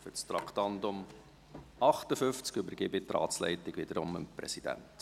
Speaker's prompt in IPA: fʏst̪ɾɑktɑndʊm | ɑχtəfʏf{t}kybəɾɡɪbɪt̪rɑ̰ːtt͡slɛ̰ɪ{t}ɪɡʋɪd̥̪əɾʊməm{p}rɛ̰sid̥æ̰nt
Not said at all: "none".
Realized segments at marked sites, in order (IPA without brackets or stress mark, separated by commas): t͡s, t, p